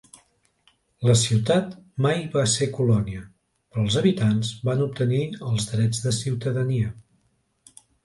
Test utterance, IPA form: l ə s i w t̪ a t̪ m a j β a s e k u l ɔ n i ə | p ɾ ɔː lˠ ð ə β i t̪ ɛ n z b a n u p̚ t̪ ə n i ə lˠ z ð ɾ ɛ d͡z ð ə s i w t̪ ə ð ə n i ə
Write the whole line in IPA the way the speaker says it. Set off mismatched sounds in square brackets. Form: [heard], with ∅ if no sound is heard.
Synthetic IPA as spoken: l ə s i w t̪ a t̪ m a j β a s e k u l ɔ n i ə | p ɾ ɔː lˠ [z] ə β i t̪ [a] n z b a n u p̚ t̪ ə n i ə lˠ z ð ɾ ɛ d͡z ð ə s i w t̪ ə ð ə n i ə